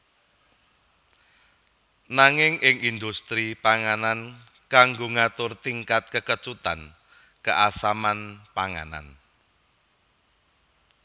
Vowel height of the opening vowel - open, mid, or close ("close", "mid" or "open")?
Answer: open